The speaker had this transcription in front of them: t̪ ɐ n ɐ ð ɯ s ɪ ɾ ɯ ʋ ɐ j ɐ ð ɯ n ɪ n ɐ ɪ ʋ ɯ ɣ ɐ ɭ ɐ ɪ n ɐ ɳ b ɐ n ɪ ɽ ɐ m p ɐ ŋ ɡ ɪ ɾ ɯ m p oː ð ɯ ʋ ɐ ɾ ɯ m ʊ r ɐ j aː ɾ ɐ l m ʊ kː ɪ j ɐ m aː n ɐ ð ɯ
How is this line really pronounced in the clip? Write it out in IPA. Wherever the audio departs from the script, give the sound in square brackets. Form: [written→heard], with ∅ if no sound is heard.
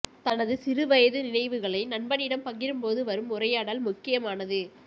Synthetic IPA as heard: t̪ ɐ n ɐ ð ɯ s ɪ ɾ ɯ ʋ ɐ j ɐ ð ɯ n ɪ n ɐ ɪ ʋ ɯ ɣ ɐ ɭ ɐ ɪ n ɐ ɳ b ɐ n ɪ ɽ ɐ m p ɐ ŋ ɡ ɪ ɾ ɯ m p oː ð ɯ ʋ ɐ ɾ ɯ m ʊ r ɐ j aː [ɾ→ɽ] ɐ l m ʊ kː ɪ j ɐ m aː n ɐ ð ɯ

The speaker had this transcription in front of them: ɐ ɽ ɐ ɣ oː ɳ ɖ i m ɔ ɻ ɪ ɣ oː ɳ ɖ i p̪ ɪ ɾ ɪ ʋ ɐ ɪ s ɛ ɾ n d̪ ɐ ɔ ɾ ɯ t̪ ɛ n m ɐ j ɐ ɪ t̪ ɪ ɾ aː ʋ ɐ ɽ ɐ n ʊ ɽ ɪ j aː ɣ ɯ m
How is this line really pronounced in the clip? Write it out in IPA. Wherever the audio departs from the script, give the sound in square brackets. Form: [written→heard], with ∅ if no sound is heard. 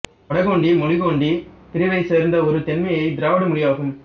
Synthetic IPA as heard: ɐ ɽ ɐ ɣ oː ɳ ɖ i m ɔ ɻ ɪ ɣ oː ɳ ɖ i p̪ ɪ ɾ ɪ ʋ ɐ ɪ s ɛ ɾ n d̪ ɐ ɔ ɾ ɯ t̪ ɛ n m ɐ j ɐ ɪ [t̪→d̪] ɪ ɾ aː ʋ ɐ ɽ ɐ [n→m] ʊ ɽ ɪ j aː ɣ ɯ m

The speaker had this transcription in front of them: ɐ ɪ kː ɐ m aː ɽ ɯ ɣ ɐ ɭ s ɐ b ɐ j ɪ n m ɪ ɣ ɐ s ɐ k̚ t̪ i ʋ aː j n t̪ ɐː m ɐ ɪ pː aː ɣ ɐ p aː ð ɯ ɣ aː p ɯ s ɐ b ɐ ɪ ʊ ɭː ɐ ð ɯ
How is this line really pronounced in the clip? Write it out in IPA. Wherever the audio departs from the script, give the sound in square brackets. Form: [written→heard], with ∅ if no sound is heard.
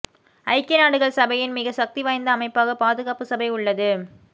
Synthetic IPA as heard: ɐ ɪ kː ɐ [m→n] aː ɽ ɯ ɣ ɐ ɭ s ɐ b ɐ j ɪ n m ɪ ɣ ɐ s ɐ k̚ t̪ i ʋ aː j n [t̪→d̪] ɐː m ɐ ɪ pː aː ɣ ɐ p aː ð ɯ ɣ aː p ɯ s ɐ b ɐ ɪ ʊ ɭː ɐ ð ɯ

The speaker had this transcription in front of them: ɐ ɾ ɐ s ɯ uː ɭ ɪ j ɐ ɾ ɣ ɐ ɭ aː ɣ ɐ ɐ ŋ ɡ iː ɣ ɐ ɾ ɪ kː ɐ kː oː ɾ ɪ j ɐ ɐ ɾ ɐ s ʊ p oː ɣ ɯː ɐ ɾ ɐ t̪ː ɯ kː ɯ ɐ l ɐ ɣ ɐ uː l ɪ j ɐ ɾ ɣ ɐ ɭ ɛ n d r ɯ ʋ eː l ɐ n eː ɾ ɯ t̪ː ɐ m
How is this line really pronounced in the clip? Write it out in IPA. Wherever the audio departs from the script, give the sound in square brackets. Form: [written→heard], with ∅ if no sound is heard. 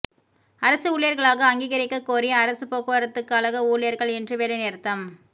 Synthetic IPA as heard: ɐ ɾ ɐ s ɯ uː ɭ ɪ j ɐ ɾ ɣ ɐ ɭ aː ɣ ɐ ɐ ŋ ɡ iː ɣ ɐ ɾ ɪ kː ɐ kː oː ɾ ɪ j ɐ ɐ ɾ ɐ s [ʊ→ɯ] p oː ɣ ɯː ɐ ɾ ɐ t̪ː ɯ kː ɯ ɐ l ɐ ɣ ɐ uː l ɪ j ɐ ɾ ɣ ɐ ɭ ɛ n d r ɯ ʋ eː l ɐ n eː ɾ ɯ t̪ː ɐ m

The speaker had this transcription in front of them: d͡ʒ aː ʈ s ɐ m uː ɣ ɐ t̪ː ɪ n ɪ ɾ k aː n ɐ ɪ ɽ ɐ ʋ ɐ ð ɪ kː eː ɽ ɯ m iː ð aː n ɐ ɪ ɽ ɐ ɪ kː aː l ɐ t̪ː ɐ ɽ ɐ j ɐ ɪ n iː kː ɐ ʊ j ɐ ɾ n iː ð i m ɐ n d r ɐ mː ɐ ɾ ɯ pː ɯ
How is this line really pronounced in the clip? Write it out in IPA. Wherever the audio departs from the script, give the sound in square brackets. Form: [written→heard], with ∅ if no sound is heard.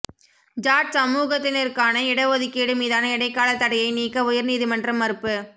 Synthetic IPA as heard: d͡ʒ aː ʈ s ɐ m uː ɣ ɐ t̪ː ɪ n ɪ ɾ k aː n ɐ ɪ ɽ ɐ ʋ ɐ ð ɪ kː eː ɽ ɯ m iː ð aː n ɐ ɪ ɽ ɐ ɪ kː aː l ɐ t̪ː ɐ ɽ ɐ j ɐ ɪ n iː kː ɐ ʊ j ɐ ɾ n iː ð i m ɐ n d r ɐ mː ɐ ɾ ɯ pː ɯ

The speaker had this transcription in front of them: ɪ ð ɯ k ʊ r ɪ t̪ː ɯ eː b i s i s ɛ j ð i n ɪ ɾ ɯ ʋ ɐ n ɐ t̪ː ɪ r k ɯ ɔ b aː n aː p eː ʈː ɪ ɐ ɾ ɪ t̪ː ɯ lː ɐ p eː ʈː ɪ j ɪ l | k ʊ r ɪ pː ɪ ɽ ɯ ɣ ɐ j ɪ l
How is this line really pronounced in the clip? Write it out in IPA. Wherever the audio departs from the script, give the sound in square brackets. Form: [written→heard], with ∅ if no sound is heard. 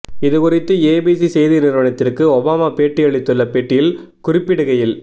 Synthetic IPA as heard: ɪ ð ɯ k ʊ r ɪ t̪ː ɯ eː b i s i s ɛ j ð i n ɪ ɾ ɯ ʋ ɐ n ɐ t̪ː ɪ r k ɯ ɔ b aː [n→m] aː p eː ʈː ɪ ɐ [ɾ→ɭ] ɪ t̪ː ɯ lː ɐ p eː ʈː ɪ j ɪ l | k ʊ r ɪ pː ɪ ɽ ɯ ɣ ɐ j ɪ l

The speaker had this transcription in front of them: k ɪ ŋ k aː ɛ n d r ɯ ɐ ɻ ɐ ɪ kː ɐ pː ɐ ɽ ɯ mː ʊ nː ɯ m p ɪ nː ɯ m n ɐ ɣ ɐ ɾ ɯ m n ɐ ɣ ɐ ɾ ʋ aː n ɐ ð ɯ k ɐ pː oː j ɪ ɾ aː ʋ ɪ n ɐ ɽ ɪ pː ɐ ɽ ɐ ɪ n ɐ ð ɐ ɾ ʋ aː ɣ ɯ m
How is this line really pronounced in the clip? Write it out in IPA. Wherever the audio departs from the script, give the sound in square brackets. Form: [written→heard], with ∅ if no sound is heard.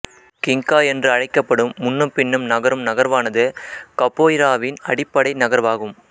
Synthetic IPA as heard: k ɪ ŋ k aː ɛ n d r ɯ ɐ ɻ ɐ ɪ kː ɐ pː ɐ ɽ ɯ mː ʊ nː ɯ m p ɪ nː ɯ m n ɐ ɣ ɐ ɾ ɯ m n ɐ ɣ ɐ ɾ ʋ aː n ɐ ð ɯ k ɐ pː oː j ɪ ɾ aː ʋ ɪ n ɐ ɽ ɪ pː ɐ ɽ ɐ ɪ n ɐ [ð→ɣ] ɐ ɾ ʋ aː ɣ ɯ m

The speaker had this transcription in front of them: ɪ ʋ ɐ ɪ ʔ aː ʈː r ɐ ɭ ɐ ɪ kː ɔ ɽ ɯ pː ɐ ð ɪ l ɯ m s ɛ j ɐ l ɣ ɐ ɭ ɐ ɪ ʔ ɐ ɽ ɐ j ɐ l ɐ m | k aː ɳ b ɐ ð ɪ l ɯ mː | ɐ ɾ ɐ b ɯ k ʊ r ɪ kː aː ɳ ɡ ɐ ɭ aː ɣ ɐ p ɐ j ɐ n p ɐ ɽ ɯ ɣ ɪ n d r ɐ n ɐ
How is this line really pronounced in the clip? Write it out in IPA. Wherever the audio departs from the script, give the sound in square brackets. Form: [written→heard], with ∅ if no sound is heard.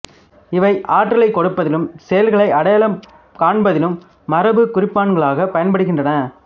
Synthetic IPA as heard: ɪ ʋ ɐ ɪ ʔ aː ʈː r ɐ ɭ ɐ ɪ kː ɔ ɽ ɯ pː ɐ ð ɪ l ɯ m s ɛ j ɐ l ɣ ɐ ɭ ɐ ɪ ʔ ɐ ɽ ɐ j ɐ l ɐ m | k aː ɳ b ɐ ð ɪ l ɯ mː | ɐ ɾ ɐ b ɯ k ʊ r ɪ [kː→pː] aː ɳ ɡ ɐ ɭ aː ɣ ɐ p ɐ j ɐ n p ɐ ɽ ɯ ɣ ɪ n d r ɐ n ɐ

